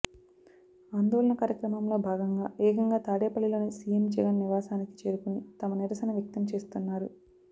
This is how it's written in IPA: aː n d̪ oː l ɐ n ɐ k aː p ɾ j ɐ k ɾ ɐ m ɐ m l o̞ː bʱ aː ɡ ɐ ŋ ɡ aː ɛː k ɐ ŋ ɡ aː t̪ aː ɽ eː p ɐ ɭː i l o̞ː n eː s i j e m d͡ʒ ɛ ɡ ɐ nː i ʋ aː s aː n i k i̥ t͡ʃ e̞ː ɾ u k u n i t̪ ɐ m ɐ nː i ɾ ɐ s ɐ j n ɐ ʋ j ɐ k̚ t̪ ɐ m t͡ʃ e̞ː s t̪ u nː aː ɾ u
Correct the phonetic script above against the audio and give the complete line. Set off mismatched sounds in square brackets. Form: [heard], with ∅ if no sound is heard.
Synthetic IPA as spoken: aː n d̪ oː l ɐ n ɐ k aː [∅] ɾ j ɐ k ɾ ɐ m ɐ m l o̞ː bʱ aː ɡ ɐ ŋ ɡ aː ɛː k ɐ ŋ ɡ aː t̪ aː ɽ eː p ɐ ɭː i l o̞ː n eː s i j e m d͡ʒ ɛ ɡ ɐ nː i ʋ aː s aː n i k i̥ t͡ʃ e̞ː ɾ u k u n i t̪ ɐ m ɐ [n] i ɾ ɐ s ɐ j n ɐ ʋ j ɐ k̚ t̪ ɐ m t͡ʃ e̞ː s t̪ u nː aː ɾ u